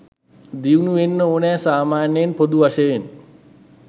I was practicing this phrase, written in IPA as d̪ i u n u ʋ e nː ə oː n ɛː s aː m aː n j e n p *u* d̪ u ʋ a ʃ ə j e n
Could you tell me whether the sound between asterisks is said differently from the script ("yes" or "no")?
yes